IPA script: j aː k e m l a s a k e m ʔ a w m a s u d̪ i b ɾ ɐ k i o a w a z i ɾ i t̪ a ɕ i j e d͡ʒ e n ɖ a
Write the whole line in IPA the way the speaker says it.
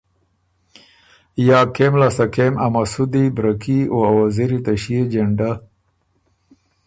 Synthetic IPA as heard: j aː k e m l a s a k e m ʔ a m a s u d̪ i b ɾ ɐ k i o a w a z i ɾ i t̪ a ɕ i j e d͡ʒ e ɳ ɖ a